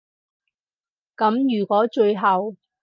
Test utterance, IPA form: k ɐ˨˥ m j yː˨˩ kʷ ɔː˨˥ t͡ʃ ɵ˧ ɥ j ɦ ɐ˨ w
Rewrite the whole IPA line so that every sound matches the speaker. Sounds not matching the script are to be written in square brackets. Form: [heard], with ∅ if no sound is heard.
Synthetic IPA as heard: k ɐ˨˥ m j yː˨˩ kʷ ɔː˨˥ t͡ʃ ɵ˧ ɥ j ɦ ɐ˨ w